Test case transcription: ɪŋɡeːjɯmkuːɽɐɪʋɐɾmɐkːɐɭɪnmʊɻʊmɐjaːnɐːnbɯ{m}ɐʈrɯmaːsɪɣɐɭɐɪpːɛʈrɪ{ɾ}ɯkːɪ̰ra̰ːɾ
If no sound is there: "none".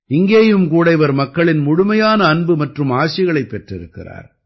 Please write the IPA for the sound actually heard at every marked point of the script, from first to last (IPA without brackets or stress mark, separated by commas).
m, ɾ